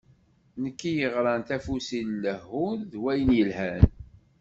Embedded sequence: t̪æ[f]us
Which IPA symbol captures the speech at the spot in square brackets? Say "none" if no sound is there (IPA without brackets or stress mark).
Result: f